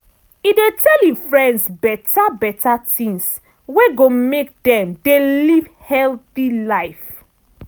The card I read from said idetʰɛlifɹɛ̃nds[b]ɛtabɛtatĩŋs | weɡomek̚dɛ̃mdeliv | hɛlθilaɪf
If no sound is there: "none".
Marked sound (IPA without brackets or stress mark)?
b